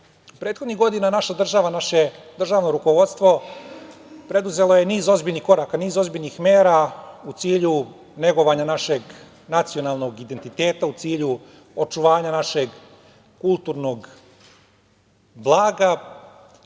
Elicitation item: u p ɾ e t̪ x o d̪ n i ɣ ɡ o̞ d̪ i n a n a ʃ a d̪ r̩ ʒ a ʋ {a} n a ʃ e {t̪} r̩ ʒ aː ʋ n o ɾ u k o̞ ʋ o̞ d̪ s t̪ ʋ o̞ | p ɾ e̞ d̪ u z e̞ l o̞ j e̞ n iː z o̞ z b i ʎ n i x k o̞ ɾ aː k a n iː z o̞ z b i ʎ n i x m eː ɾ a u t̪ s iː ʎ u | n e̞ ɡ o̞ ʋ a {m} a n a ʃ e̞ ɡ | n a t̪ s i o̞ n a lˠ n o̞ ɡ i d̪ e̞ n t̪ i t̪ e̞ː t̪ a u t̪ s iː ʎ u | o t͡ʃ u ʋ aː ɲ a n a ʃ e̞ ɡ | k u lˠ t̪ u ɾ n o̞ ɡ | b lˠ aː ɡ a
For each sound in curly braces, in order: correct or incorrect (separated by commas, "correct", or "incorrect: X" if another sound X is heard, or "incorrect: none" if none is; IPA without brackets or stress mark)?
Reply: correct, incorrect: d̪, incorrect: ɲ